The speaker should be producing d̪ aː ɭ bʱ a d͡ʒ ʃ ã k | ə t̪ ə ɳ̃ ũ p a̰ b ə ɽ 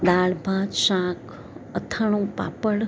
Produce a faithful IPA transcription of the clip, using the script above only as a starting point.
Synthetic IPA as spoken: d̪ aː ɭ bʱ a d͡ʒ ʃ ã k | ə t̪ʰ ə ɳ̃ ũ p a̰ p ə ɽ